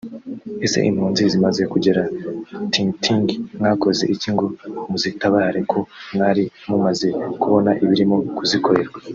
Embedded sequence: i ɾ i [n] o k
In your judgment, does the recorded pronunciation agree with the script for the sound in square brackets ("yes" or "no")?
no